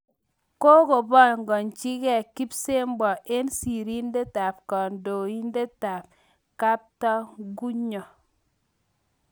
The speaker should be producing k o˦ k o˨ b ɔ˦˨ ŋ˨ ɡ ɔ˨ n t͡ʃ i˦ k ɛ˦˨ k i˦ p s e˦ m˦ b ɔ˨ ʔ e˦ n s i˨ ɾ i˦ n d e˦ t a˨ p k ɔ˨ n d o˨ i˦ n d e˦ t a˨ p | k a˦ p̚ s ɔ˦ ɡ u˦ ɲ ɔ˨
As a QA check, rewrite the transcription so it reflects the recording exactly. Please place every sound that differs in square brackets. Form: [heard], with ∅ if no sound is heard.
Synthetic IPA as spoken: k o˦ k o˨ b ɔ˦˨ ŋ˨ ɡ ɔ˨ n t͡ʃ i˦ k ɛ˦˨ k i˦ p s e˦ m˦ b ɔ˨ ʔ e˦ n s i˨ ɾ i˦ n d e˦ t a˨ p k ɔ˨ n d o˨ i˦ n d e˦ t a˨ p | k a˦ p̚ [t] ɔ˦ ɡ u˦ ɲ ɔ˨